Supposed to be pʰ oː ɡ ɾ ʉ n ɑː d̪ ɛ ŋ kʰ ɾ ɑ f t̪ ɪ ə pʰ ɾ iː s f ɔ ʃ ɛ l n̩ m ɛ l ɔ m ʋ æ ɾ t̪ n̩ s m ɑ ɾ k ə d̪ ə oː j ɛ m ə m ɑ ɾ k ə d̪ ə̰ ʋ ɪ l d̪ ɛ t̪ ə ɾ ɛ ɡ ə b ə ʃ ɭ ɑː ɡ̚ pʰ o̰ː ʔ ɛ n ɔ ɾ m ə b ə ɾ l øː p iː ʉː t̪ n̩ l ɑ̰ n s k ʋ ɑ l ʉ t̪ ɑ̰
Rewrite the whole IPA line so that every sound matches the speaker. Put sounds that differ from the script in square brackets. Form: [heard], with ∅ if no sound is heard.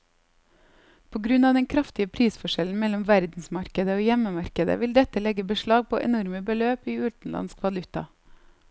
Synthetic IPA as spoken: pʰ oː ɡ ɾ ʉ n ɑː d̪ ɛ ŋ kʰ ɾ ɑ f t̪ ɪ ə pʰ ɾ iː s f ɔ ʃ ɛ l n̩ m ɛ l ɔ m ʋ æ ɾ [d̪] n̩ s m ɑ ɾ k ə d̪ ə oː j ɛ m ə m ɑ ɾ k ə d̪ ə̰ ʋ ɪ l d̪ ɛ t̪ ə [l] ɛ ɡ ə b ə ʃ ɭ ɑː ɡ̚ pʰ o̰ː ʔ ɛ n ɔ ɾ m ə b ə [∅] l øː p iː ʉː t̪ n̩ l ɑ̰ n s k ʋ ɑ l ʉ t̪ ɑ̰

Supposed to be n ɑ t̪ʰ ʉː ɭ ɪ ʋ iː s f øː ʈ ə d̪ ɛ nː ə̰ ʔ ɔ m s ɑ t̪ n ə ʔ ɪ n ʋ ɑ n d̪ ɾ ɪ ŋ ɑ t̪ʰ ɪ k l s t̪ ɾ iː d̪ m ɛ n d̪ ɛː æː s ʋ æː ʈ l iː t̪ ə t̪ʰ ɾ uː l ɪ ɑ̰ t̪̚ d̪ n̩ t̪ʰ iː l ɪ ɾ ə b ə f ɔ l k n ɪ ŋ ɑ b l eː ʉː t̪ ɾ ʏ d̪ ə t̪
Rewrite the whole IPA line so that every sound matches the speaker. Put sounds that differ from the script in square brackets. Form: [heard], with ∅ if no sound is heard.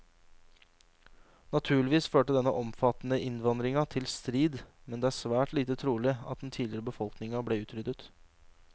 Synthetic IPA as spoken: n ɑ t̪ʰ ʉː ɭ ɪ ʋ iː s f øː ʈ ə d̪ ɛ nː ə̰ ʔ ɔ m [f] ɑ t̪ n ə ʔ ɪ n ʋ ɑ n d̪ ɾ ɪ ŋ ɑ t̪ʰ ɪ [∅] l s t̪ ɾ iː d̪ m ɛ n d̪ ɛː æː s ʋ æː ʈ l iː t̪ ə t̪ʰ ɾ uː l ɪ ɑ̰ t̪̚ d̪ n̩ t̪ʰ iː l ɪ ɾ ə b ə f ɔ l k n ɪ ŋ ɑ b l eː ʉː t̪ ɾ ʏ d̪ ə t̪

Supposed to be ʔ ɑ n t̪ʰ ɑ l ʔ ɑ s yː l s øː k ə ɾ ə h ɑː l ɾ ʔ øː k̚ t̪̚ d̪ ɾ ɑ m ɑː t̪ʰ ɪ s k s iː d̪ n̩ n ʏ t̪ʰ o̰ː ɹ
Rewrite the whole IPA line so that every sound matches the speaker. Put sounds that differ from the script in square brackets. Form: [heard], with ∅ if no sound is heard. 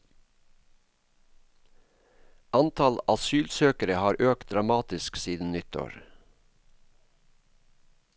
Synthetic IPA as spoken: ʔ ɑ n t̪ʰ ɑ l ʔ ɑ s yː l s øː k ə ɾ ə h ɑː [∅] ɾ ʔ øː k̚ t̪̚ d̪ ɾ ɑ m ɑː [t̪] ɪ s k s iː d̪ n̩ n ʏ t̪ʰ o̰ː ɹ

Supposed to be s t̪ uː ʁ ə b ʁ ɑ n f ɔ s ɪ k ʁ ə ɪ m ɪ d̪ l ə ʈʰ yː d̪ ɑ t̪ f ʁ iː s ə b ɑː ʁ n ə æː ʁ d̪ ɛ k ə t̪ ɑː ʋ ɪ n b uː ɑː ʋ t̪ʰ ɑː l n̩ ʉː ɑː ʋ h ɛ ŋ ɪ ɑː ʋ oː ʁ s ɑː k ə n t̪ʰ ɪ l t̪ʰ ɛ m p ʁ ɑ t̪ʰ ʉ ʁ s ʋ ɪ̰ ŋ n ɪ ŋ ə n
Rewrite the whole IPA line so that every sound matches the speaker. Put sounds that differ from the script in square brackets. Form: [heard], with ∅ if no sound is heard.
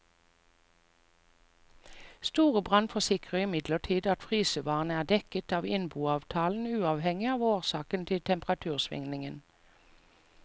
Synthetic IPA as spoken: s t̪ uː ʁ ə b ʁ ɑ n f ɔ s ɪ k ʁ ə ɪ m ɪ d̪ l ə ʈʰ [iː] d̪ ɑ t̪ f ʁ iː s ə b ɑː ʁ n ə æː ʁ d̪ ɛ k ə t̪ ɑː ʋ ɪ n b uː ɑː ʋ t̪ʰ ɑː l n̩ ʉː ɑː ʋ h ɛ ŋ ɪ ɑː ʋ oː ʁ s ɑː k ə n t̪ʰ ɪ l t̪ʰ ɛ m p ʁ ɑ t̪ʰ [ʉː] ʁ s ʋ ɪ̰ ŋ n ɪ ŋ ə n

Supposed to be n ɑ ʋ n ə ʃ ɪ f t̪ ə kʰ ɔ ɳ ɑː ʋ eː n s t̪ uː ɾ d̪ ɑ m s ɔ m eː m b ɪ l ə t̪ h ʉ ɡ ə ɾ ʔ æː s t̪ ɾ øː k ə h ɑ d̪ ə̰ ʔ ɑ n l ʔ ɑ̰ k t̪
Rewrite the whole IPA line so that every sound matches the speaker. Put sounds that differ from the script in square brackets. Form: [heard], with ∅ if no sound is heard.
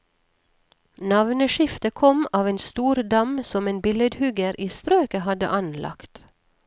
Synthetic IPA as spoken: n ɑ ʋ n ə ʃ ɪ f t̪ ə kʰ ɔ [m] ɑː ʋ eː n s t̪ uː ɾ d̪ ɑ m s ɔ m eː [n] b ɪ l ə [d̪] h ʉ ɡ ə ɾ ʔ [iː] s t̪ ɾ øː k ə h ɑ d̪ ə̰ ʔ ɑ n l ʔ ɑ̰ k t̪

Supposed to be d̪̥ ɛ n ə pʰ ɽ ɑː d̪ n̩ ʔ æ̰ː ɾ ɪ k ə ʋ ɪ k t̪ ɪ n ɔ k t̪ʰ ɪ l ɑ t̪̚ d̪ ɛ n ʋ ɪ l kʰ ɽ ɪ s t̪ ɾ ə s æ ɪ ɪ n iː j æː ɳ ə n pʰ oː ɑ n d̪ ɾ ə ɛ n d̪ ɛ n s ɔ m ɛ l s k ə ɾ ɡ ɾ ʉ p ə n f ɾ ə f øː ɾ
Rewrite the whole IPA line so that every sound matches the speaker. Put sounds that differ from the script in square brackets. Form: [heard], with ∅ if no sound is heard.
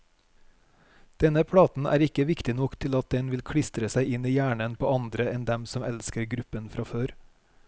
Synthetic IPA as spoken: d̪̥ ɛ n ə pʰ ɽ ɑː [t̪] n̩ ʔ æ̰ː ɾ ɪ k ə ʋ ɪ k t̪ ɪ n ɔ k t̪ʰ ɪ l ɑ t̪̚ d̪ ɛ n ʋ ɪ l kʰ ɽ ɪ s t̪ ɾ ə s æ ɪ ɪ n iː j æː ɳ ə n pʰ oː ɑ n d̪ ɾ ə ɛ n d̪ ɛ [m] s ɔ m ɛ l s k ə ɾ ɡ ɾ ʉ p ə n f ɾ [ɑ] f øː ɾ

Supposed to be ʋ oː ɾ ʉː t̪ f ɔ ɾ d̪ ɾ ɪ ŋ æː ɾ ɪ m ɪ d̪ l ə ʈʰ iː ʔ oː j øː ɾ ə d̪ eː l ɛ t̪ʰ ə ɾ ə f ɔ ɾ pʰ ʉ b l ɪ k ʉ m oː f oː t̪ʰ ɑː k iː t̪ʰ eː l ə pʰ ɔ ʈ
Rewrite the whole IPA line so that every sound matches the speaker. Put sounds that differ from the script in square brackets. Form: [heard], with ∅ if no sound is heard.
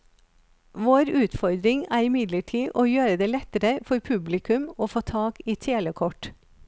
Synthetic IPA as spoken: ʋ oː ɾ ʉː t̪ f ɔ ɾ d̪ ɾ ɪ ŋ æː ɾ ɪ m ɪ d̪ l ə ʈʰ iː ʔ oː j øː ɾ ə d̪ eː l ɛ [t̪] ə ɾ ə f ɔ ɾ pʰ ʉ b l ɪ k ʉ m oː f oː t̪ʰ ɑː k iː t̪ʰ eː l ə [kʰ] ɔ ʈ

